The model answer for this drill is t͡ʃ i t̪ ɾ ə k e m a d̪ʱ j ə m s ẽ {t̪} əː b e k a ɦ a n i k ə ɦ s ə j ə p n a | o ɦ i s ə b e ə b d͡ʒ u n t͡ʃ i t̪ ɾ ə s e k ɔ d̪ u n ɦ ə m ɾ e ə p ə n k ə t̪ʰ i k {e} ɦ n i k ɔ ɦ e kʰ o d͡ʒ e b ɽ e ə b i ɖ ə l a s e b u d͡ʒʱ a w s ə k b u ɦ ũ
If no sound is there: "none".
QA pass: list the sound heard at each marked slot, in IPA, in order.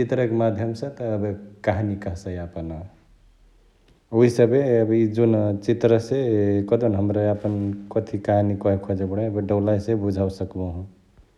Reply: t̪, a

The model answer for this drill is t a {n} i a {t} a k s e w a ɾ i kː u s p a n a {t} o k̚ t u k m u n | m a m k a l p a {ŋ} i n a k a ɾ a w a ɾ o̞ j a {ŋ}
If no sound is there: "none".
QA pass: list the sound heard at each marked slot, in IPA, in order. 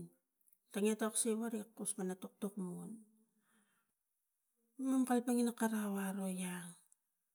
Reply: ŋ, t, t, ŋ, ŋ

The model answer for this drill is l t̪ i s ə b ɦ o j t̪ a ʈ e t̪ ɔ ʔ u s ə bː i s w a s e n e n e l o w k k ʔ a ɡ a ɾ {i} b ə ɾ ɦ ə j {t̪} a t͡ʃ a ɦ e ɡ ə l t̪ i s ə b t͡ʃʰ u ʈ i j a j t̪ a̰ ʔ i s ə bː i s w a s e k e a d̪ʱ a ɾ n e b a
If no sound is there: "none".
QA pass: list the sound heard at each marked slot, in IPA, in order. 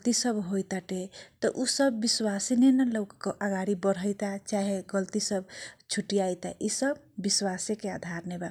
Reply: i, t̪

